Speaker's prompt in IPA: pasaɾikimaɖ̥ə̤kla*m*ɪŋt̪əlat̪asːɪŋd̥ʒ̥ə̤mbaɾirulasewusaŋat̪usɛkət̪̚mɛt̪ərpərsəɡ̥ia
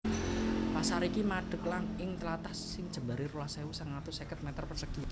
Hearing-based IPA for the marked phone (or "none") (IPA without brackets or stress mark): ŋ